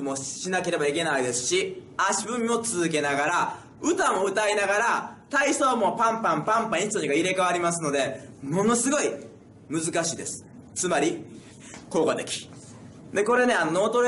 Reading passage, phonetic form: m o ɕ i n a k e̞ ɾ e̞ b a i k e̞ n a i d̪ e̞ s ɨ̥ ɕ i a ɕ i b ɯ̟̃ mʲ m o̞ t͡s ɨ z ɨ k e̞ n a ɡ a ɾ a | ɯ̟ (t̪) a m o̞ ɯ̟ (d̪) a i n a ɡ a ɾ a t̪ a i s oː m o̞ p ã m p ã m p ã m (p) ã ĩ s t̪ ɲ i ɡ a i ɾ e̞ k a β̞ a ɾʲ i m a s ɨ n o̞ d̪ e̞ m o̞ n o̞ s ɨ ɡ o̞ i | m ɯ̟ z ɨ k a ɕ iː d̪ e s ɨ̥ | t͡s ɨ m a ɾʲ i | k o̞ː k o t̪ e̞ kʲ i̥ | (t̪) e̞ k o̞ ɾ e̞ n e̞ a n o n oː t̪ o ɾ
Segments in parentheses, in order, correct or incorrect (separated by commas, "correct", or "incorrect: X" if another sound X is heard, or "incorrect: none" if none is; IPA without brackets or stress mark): correct, incorrect: t̪, correct, incorrect: d̪